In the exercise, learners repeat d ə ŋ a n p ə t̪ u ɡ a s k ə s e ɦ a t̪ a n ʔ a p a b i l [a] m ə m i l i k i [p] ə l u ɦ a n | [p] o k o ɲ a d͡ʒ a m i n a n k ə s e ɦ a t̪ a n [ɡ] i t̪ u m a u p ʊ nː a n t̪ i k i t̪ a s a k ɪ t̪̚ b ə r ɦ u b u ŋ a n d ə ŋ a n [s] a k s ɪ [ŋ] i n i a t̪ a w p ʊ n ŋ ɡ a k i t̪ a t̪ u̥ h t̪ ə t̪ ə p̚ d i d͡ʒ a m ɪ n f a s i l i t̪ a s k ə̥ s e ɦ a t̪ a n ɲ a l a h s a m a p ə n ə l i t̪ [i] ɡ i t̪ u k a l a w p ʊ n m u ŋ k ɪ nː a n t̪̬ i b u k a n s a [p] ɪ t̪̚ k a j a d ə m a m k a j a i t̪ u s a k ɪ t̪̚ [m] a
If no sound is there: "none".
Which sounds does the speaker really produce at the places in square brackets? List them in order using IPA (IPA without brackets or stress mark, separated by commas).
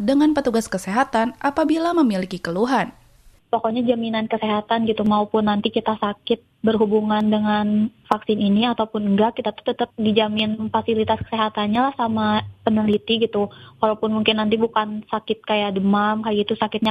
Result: a, k, p, ɡ, f, n, i, k, ɲ